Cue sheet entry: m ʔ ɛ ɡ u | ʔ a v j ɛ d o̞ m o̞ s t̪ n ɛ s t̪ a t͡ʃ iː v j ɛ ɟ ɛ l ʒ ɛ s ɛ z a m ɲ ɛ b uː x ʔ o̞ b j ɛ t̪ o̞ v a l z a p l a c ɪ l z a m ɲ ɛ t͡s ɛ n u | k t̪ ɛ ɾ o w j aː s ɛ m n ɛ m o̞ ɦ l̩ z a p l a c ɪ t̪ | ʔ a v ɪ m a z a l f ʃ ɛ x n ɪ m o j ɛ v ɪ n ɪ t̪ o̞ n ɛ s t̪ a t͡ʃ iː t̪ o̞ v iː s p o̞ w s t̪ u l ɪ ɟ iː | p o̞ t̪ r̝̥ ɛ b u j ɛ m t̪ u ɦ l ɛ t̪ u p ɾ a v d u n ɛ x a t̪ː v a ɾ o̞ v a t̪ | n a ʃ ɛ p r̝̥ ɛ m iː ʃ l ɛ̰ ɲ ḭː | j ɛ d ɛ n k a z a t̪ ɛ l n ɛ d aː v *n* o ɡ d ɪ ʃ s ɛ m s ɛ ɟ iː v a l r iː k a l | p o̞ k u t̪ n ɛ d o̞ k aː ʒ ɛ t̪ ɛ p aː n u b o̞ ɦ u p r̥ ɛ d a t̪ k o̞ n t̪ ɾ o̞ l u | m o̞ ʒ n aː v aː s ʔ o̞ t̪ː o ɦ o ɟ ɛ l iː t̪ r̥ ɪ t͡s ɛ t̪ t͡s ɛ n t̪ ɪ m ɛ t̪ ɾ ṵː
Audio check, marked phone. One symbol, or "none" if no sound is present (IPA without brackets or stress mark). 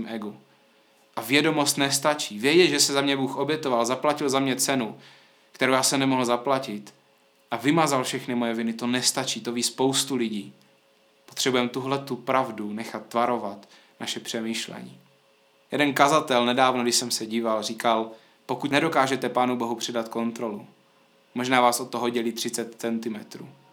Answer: n